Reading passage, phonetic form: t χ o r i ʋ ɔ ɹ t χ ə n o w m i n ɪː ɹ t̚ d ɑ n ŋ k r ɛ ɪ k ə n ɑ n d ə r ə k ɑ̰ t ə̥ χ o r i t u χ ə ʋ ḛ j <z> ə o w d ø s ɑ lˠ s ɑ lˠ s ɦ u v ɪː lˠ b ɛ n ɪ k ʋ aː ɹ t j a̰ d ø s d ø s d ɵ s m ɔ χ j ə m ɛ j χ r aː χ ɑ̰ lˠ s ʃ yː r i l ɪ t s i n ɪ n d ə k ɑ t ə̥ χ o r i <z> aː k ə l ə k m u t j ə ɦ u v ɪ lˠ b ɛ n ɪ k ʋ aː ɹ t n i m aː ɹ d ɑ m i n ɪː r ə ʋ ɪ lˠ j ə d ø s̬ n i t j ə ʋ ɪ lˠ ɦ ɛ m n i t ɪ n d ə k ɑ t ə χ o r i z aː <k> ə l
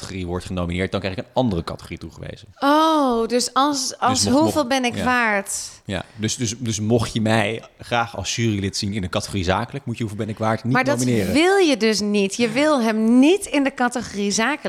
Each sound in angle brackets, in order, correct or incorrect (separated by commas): correct, correct, correct